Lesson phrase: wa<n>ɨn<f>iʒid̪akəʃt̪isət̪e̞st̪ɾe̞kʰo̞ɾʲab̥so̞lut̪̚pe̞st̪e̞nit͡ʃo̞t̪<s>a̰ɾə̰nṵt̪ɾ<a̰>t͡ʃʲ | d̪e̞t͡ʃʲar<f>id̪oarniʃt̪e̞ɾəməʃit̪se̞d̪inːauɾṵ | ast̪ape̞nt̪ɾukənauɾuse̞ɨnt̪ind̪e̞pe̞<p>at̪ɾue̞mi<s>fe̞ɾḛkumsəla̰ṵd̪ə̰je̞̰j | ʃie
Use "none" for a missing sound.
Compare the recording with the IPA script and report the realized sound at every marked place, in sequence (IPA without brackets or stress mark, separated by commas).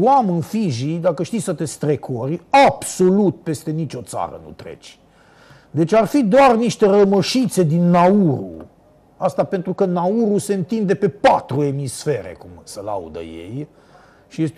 m, f, s, ḛ, f, p, s